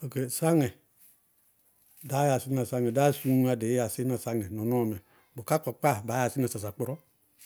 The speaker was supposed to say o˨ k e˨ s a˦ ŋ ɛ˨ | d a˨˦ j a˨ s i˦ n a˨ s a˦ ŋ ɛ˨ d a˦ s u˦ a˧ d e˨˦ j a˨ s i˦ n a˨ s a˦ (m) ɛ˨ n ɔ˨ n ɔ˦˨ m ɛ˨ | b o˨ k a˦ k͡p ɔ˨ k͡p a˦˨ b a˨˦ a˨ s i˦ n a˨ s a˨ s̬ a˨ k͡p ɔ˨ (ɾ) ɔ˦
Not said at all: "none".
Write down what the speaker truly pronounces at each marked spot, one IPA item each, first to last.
ŋ, ɾ

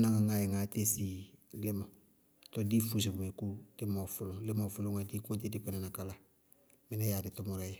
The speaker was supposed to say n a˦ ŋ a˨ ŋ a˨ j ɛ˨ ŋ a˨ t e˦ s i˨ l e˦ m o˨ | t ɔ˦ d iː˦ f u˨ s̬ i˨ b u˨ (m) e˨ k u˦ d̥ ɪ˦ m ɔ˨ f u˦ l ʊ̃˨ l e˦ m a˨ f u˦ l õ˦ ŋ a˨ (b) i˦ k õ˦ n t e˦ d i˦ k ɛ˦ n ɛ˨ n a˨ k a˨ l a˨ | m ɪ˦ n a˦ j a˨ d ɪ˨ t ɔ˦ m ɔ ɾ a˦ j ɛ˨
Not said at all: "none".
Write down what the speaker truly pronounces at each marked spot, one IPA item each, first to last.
m, d

